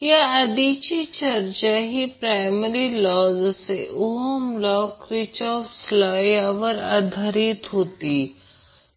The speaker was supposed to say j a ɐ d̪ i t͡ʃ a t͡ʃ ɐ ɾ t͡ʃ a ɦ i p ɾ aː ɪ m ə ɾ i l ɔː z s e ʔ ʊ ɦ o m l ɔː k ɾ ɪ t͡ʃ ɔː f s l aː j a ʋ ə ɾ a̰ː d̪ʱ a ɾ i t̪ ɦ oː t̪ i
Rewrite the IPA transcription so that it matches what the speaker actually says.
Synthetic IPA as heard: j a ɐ d̪ i t͡ʃ i t͡ʃ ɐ ɾ t͡ʃ a ɦ i p ɾ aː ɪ m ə ɾ i l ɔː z s e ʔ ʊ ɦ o m l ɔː k ɾ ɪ t͡ʃ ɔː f s l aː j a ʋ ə ɾ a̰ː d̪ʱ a ɾ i t̪ ɦ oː t̪ i